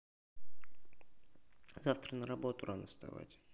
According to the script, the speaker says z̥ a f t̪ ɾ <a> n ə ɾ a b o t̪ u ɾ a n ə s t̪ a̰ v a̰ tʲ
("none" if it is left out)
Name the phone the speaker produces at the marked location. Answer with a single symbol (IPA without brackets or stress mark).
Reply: ə